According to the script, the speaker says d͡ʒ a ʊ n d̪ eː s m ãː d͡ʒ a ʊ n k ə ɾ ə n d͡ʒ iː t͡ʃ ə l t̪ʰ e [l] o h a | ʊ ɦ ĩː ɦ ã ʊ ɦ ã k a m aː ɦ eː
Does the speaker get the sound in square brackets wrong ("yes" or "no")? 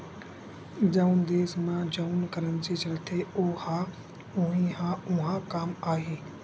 yes